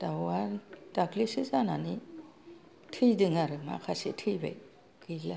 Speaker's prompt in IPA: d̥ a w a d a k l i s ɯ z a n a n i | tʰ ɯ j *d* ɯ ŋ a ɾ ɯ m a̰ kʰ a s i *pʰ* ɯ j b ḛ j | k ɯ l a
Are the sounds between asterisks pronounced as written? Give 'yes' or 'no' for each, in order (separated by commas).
yes, no